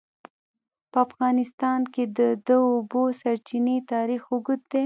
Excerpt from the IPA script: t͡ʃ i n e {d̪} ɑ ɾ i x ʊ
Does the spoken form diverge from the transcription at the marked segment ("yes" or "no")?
yes